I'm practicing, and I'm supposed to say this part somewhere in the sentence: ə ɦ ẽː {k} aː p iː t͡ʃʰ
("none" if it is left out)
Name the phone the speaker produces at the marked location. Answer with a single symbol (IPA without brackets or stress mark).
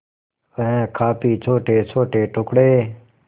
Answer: kʰ